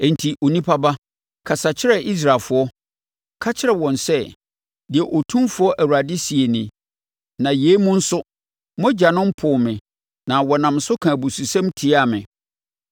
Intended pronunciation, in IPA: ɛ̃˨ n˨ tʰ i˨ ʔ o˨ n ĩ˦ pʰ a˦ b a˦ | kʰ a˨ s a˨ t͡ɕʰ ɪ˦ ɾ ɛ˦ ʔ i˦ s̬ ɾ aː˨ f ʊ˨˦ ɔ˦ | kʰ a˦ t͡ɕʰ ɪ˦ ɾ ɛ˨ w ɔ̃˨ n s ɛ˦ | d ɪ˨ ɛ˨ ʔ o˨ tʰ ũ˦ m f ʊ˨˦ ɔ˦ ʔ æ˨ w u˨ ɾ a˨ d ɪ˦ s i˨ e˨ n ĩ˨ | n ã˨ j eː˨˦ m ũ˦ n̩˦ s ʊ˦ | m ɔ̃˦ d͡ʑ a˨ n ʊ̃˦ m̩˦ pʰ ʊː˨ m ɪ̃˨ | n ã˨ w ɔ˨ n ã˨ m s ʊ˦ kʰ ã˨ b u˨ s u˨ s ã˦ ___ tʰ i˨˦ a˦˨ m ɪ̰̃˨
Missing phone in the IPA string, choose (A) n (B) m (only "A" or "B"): B